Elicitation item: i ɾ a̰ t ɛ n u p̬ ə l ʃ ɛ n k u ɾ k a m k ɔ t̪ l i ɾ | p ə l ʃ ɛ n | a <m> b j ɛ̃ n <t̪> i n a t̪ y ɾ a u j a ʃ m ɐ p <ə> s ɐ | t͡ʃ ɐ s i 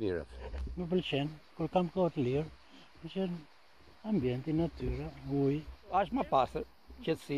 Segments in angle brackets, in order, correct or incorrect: correct, correct, incorrect: a

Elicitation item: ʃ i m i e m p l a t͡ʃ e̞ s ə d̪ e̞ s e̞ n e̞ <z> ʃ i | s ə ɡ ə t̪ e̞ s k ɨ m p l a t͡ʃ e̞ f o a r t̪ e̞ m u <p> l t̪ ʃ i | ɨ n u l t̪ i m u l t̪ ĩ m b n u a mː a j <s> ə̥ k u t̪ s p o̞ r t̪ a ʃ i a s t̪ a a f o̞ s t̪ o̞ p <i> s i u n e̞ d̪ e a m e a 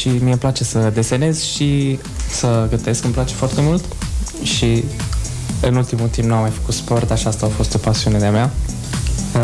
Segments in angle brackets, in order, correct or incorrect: correct, incorrect: none, incorrect: f, incorrect: a

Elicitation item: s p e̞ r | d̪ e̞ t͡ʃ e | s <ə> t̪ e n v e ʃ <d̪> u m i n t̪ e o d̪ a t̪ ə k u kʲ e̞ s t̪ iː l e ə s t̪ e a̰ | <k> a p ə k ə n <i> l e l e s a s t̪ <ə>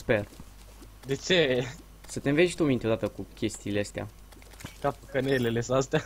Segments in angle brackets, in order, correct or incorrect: correct, incorrect: t̪, correct, incorrect: e, incorrect: a

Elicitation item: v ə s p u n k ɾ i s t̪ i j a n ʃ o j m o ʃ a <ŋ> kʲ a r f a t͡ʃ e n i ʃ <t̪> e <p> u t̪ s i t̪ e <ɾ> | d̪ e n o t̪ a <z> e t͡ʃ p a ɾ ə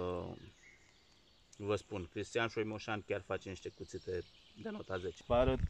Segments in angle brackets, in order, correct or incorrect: incorrect: n, correct, incorrect: k, incorrect: none, correct

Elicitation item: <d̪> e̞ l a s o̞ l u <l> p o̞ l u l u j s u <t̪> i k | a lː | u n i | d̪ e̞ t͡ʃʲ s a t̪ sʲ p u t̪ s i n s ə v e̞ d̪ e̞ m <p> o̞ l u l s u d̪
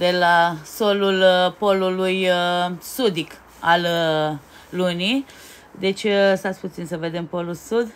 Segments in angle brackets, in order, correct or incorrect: correct, correct, incorrect: d̪, correct

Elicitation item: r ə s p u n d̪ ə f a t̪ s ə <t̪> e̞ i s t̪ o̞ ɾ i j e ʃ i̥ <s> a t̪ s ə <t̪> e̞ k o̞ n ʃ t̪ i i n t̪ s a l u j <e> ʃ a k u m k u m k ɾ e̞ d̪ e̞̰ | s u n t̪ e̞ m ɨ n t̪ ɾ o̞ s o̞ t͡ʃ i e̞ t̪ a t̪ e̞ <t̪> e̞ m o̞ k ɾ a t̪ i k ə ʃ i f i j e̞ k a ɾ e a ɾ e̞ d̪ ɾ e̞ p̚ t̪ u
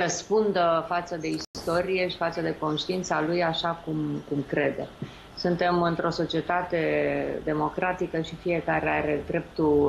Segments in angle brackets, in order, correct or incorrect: incorrect: d̪, incorrect: f, incorrect: d̪, incorrect: a, incorrect: d̪

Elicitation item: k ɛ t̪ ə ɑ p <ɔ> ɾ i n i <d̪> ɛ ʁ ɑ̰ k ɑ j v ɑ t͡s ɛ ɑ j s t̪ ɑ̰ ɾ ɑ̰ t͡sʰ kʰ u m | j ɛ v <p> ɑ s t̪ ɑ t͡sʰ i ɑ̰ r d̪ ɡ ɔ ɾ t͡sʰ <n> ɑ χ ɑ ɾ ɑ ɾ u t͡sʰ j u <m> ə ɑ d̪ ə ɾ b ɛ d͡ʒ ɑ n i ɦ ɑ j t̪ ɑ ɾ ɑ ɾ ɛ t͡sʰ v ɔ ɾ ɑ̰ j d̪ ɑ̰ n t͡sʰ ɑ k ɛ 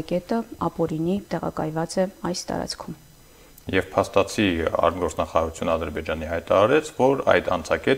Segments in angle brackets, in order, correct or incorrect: correct, incorrect: t̪, incorrect: pʰ, correct, incorrect: n

